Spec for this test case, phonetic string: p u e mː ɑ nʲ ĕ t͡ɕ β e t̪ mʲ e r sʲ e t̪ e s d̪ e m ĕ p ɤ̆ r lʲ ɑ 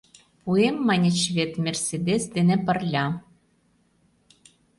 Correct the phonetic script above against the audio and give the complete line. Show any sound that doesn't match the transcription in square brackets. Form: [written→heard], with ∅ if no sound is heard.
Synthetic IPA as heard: p u e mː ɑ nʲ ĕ t͡ɕ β e t̪ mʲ e r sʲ e [t̪→d̪] e s d̪ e [m→n] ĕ p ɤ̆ r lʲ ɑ